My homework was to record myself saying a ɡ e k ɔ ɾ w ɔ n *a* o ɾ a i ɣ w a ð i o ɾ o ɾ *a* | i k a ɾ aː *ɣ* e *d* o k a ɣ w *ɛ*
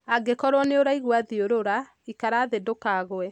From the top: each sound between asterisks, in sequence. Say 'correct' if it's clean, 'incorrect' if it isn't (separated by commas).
incorrect, correct, incorrect, correct, correct